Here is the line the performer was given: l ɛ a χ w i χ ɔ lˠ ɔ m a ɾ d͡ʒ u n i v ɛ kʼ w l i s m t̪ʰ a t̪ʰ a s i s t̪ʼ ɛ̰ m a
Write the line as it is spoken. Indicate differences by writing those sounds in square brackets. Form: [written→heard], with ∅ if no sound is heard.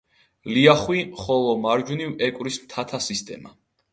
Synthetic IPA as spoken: l [ɛ→i] a χ w i χ ɔ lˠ ɔ m a ɾ d͡ʒ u n i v ɛ kʼ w [l→ɾ] i s m t̪ʰ a t̪ʰ a s i s t̪ʼ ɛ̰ m a